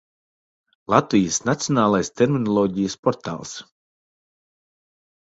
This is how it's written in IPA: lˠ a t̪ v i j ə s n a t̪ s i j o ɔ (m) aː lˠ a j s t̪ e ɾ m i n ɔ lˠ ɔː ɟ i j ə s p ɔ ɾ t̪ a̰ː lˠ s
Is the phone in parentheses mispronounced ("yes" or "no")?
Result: yes